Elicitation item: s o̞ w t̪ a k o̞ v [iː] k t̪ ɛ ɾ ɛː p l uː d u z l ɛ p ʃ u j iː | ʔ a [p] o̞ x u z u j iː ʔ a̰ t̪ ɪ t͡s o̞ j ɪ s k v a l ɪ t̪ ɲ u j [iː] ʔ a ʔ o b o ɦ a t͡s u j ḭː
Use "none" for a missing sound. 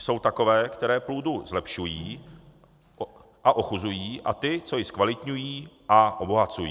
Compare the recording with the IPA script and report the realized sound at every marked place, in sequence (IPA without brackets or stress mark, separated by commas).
ɛː, ʔ, iː